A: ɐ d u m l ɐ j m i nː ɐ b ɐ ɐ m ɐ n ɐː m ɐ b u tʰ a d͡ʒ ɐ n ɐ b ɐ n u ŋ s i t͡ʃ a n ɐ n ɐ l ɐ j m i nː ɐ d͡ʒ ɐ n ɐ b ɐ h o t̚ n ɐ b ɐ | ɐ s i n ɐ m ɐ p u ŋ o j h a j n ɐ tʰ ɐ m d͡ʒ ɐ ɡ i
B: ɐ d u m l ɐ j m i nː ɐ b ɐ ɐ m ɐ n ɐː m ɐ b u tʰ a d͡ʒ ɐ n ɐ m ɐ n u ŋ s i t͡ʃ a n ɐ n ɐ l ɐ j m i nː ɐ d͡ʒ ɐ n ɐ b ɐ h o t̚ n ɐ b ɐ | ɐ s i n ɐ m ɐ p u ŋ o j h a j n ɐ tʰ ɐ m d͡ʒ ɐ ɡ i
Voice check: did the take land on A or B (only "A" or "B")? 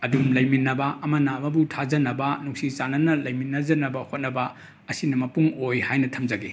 A